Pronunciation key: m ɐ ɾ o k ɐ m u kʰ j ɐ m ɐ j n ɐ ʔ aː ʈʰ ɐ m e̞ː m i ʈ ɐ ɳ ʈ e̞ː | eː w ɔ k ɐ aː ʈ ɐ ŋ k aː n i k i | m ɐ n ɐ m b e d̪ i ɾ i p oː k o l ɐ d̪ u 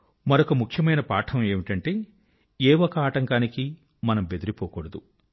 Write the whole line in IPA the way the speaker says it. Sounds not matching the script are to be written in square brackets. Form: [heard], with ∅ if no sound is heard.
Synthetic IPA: m ɐ ɾ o k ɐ m u kʰ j ɐ m ɐ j n ɐ [p] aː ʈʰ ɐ m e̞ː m i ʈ ɐ ɳ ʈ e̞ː | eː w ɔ k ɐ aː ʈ ɐ ŋ k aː n i k i | m ɐ n ɐ m b e d̪ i ɾ i p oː k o [ɽ] ɐ d̪ u